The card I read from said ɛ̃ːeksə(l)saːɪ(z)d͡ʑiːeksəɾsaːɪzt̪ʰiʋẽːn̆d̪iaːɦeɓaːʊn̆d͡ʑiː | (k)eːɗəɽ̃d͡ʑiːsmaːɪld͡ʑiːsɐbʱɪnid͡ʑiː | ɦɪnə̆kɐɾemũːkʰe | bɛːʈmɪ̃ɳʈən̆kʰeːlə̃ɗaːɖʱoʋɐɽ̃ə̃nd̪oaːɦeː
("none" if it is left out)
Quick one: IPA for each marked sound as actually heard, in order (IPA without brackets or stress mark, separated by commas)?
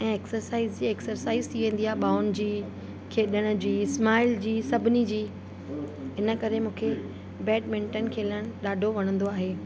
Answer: ɾ, z, kʰ